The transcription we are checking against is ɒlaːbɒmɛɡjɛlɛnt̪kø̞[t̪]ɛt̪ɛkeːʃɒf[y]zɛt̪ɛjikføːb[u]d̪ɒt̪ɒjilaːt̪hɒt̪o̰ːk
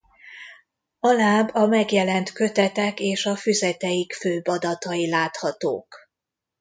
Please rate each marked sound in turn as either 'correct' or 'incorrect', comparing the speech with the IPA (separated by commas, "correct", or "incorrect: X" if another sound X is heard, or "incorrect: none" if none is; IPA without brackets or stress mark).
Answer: correct, correct, incorrect: ɒ